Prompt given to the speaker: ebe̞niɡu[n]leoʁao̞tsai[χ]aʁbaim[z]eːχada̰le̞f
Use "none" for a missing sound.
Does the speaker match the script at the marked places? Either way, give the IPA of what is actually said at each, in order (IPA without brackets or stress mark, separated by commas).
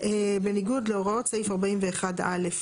d, f, v